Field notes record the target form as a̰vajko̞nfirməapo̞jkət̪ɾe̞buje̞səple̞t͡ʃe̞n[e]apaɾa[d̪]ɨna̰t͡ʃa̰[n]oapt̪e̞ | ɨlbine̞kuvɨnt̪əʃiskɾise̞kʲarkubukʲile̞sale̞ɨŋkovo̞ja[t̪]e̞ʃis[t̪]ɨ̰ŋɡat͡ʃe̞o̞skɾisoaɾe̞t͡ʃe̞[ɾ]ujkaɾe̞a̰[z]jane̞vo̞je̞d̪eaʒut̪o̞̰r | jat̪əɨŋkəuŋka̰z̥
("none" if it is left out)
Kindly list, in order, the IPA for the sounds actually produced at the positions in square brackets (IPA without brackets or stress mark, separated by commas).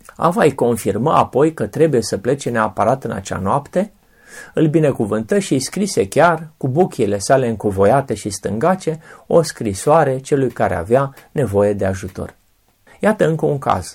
e, t̪, n, t̪, t̪, l, v